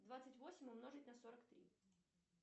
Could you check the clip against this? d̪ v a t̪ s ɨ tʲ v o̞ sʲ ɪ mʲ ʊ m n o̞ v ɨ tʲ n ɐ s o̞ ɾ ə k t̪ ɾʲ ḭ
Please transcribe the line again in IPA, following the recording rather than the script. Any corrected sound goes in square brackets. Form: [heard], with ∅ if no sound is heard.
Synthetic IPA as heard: d̪ v a t̪ s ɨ tʲ v o̞ sʲ ɪ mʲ ʊ m n o̞ [ʐ] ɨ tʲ n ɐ s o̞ ɾ ə k t̪ ɾʲ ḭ